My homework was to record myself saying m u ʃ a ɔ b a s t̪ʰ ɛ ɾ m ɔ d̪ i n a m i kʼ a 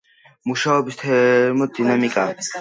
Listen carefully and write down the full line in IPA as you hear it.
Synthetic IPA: m u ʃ a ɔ b i s t̪ʰ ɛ ɾ m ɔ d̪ i n a m i kʼ a